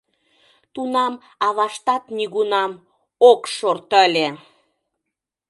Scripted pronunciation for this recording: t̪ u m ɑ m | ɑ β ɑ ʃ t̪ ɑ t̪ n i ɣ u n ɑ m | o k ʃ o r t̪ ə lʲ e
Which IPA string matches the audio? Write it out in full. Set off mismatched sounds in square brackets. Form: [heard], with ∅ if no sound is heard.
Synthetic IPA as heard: t̪ u [n] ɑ m | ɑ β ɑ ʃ t̪ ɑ t̪ n i ɣ u n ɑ m | o k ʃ o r t̪ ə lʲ e